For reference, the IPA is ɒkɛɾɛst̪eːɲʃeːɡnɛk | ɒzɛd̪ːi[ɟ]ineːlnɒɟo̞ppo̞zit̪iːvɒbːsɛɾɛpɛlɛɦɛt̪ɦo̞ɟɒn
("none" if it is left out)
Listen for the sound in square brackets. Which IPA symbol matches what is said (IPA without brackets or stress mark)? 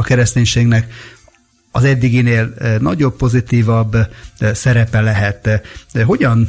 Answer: ɡ